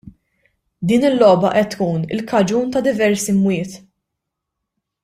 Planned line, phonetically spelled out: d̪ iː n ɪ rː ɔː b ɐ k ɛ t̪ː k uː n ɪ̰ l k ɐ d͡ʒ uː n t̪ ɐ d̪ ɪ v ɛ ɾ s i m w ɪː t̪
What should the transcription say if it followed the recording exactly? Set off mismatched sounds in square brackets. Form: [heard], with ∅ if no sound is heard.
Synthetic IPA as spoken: d̪ iː n ɪ [lː] ɔː b ɐ [ʔ] ɛ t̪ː k uː n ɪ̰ l k ɐ d͡ʒ uː n t̪ ɐ d̪ ɪ v ɛ ɾ s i m w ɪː t̪

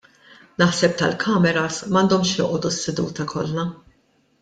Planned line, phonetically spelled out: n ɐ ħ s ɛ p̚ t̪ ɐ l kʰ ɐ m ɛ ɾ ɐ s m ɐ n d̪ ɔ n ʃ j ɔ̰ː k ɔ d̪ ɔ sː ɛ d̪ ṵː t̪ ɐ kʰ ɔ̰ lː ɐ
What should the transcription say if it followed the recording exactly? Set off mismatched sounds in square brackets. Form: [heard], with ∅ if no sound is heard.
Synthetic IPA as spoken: n ɐ ħ s ɛ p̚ t̪ ɐ l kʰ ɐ m ɛ ɾ ɐ s m ɐ n d̪ ɔ [m] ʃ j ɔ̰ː [ʔ] ɔ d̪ [u] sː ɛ d̪ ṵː t̪ ɐ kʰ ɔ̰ lː ɐ

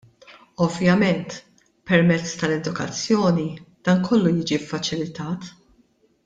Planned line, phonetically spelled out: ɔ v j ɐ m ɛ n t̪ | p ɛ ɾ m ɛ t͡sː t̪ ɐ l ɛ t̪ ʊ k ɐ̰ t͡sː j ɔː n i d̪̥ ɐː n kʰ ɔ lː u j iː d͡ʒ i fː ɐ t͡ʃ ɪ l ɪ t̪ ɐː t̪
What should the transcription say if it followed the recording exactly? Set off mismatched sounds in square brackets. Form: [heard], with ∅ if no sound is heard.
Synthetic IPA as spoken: ɔ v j ɐ m ɛ n t̪ | p ɛ ɾ m ɛ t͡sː t̪ ɐ l ɛ [d̪] ʊ k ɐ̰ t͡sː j ɔː n i d̪̥ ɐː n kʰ ɔ lː u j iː d͡ʒ i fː ɐ t͡ʃ ɪ l ɪ t̪ ɐː t̪

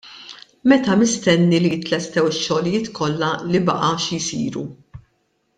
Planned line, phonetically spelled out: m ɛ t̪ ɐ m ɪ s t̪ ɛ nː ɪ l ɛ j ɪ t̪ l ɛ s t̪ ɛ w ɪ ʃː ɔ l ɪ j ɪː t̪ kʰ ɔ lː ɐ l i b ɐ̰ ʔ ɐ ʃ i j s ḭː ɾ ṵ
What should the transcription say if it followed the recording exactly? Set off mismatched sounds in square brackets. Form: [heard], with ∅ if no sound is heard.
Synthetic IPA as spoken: m ɛ t̪ ɐ m ɪ s t̪ ɛ nː [i] l [i] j ɪ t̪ l ɛ s t̪ ɛ w ɪ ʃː ɔ l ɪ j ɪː t̪ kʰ ɔ lː ɐ l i b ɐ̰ ʔ ɐ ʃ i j s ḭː ɾ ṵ

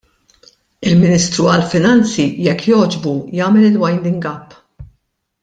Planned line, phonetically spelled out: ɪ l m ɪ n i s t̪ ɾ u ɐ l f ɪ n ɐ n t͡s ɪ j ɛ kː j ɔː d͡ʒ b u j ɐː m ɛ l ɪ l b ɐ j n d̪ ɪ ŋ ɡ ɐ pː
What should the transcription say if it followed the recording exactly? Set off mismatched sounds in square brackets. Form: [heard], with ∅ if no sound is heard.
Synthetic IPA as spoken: ɪ l m ɪ n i s t̪ ɾ u ɐ l f ɪ n ɐ n t͡s [i] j ɛ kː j ɔː d͡ʒ b u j ɐː m ɛ l ɪ l [w] ɐ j n d̪ ɪ ŋ ɡ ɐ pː

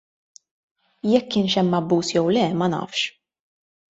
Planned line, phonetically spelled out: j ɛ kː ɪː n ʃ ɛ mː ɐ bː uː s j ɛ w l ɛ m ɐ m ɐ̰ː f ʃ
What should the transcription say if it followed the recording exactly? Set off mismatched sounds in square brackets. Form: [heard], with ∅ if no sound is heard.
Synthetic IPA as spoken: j ɛ kː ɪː n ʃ ɛ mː ɐ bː uː s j ɛ w l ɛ m ɐ [n] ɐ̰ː f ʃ

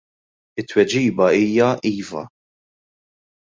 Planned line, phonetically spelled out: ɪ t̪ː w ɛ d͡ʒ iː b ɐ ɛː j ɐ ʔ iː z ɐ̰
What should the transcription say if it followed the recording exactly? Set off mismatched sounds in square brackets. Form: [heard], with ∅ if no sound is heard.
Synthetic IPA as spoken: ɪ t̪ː w ɛ d͡ʒ iː b ɐ [iː] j ɐ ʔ iː [v] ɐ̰

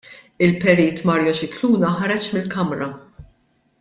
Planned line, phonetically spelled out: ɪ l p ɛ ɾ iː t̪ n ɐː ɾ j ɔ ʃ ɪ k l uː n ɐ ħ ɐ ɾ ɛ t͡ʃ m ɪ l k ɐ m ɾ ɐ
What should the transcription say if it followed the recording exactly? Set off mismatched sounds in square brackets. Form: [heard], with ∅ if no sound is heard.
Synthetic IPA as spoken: ɪ l p ɛ ɾ iː t̪ [m] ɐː ɾ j ɔ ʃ ɪ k l uː n ɐ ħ ɐ ɾ ɛ t͡ʃ m ɪ l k ɐ m ɾ ɐ

